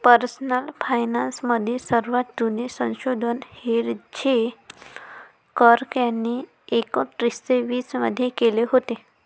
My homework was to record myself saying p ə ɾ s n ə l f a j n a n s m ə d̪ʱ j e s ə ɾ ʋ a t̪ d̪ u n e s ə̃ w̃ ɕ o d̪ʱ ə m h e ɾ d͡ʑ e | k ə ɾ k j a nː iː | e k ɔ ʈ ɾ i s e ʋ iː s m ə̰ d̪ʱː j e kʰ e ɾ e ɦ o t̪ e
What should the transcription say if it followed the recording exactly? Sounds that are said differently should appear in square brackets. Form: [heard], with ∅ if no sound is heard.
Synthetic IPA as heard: p ə ɾ s n ə l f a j n a n s m ə d̪ʱ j e s ə ɾ ʋ a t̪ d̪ u n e s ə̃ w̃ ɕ o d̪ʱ ə [n] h e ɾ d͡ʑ e | k ə ɾ k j a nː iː | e k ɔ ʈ ɾ i s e ʋ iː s m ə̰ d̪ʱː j e [k] e [l] e ɦ o t̪ e